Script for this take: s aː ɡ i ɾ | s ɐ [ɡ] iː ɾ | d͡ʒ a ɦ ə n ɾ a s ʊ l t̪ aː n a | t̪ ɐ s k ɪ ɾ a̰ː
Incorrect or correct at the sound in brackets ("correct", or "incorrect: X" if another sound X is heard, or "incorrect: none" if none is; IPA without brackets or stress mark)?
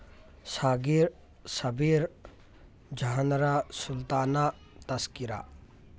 incorrect: b